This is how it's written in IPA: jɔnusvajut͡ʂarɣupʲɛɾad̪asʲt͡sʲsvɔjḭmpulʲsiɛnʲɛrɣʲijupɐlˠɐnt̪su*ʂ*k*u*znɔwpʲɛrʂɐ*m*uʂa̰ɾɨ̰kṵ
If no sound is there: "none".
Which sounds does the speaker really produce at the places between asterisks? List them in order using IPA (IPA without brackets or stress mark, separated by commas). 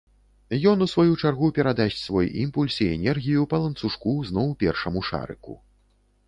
ʂ, u, m